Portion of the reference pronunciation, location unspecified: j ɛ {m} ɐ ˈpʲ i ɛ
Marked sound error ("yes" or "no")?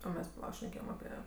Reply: no